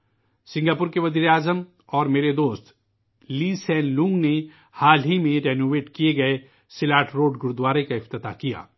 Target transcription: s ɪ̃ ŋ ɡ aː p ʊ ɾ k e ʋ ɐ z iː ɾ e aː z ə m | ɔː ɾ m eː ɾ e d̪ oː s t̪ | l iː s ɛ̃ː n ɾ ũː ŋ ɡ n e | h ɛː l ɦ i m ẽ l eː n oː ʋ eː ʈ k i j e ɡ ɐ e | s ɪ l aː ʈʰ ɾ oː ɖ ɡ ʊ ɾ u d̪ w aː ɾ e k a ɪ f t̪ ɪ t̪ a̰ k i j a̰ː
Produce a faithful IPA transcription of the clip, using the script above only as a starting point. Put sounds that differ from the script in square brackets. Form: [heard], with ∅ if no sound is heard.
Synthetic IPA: s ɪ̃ ŋ ɡ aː p ʊ ɾ k e ʋ ɐ z iː ɾ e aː z ə m | ɔː ɾ m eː ɾ e d̪ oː s t̪ | l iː s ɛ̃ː n [l] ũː ŋ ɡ n e | h [aː] l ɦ i m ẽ [ɾ] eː n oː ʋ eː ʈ k i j e ɡ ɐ e | s ɪ l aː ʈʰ ɾ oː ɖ ɡ ʊ ɾ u d̪ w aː ɾ e k a ɪ f t̪ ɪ t̪ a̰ k i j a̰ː